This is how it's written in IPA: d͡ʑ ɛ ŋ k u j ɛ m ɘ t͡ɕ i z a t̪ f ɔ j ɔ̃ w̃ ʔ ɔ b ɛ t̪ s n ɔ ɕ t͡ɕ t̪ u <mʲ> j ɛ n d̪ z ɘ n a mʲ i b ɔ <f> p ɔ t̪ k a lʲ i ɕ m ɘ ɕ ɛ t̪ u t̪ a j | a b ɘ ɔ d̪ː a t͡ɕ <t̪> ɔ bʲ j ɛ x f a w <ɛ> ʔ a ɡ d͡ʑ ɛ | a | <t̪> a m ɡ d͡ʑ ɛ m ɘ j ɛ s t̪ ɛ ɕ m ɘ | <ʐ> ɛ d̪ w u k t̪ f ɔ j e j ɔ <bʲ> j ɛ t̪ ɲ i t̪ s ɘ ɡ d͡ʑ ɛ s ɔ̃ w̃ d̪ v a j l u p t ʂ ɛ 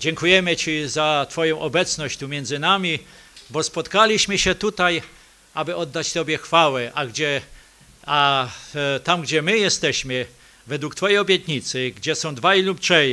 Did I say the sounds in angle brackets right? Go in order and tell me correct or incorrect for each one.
correct, incorrect: s, correct, correct, correct, incorrect: v, correct

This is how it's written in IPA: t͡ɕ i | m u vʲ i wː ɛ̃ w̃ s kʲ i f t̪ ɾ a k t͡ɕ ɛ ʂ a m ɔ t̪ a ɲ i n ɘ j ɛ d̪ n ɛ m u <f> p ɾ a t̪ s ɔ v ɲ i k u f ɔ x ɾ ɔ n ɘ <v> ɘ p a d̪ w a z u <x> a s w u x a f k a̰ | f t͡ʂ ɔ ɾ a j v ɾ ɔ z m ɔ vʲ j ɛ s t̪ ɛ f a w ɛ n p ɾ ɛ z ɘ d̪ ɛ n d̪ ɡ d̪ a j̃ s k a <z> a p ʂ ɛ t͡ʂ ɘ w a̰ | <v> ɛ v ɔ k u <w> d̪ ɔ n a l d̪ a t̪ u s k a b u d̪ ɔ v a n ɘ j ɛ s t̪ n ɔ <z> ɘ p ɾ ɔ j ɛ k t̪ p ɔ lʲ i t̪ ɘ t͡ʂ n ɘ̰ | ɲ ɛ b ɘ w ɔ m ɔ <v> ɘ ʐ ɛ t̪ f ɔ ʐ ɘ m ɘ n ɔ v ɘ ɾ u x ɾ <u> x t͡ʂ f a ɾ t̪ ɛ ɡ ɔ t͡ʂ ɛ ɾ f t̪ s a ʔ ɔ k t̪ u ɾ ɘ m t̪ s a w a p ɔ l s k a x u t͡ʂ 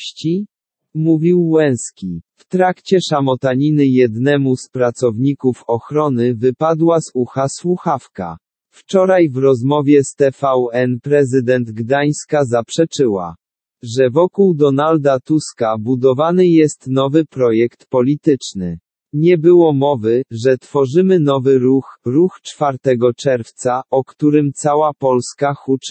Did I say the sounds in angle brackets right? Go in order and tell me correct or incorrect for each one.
incorrect: s, correct, correct, correct, incorrect: ʐ, correct, incorrect: v, correct, correct

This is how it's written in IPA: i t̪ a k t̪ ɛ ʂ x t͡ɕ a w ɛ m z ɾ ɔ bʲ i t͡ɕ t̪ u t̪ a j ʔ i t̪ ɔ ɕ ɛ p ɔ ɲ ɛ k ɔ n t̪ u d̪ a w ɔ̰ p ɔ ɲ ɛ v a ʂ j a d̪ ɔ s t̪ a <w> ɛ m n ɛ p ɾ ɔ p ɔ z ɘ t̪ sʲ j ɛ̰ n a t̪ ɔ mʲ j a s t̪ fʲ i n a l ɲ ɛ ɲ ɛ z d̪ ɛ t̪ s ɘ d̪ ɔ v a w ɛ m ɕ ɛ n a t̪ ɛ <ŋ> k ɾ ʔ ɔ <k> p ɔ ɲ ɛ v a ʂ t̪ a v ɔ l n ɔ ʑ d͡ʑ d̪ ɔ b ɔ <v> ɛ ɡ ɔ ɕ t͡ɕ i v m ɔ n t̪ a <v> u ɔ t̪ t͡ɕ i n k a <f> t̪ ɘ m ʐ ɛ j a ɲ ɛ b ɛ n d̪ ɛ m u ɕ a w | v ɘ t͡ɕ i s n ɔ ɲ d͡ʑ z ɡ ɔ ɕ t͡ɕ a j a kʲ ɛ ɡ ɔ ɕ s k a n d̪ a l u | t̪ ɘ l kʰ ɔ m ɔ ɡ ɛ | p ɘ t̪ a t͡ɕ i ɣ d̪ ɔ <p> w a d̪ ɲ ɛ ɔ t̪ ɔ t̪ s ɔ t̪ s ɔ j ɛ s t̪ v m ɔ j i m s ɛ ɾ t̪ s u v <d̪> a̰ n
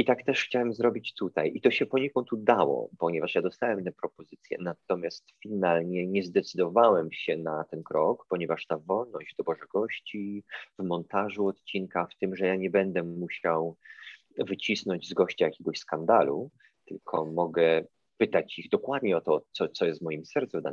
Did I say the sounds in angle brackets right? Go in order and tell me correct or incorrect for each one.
correct, incorrect: n, correct, incorrect: ʐ, incorrect: ʐ, correct, incorrect: k, correct

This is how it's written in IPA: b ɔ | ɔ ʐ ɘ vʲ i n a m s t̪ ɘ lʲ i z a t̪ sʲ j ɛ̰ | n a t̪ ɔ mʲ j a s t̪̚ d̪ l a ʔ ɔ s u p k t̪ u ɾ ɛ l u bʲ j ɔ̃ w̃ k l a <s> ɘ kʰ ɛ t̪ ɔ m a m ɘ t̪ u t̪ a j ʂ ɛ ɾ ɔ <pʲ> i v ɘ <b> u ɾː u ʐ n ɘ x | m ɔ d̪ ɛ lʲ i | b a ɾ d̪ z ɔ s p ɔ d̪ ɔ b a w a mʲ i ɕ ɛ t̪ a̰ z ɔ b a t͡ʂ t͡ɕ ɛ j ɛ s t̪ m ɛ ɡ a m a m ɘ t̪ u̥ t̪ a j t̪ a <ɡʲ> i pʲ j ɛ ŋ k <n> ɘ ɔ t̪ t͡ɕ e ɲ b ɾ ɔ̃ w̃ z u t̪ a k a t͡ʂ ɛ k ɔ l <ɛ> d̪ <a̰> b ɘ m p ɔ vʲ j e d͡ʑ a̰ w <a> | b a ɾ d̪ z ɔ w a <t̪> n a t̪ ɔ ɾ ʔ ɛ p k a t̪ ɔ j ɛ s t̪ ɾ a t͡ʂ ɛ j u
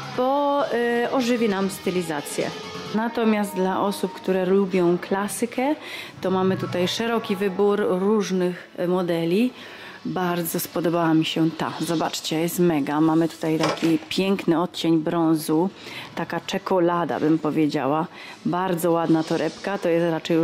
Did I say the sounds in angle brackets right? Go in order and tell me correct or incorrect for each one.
correct, incorrect: kʲ, correct, incorrect: kʲ, correct, incorrect: a, correct, correct, incorrect: d̪

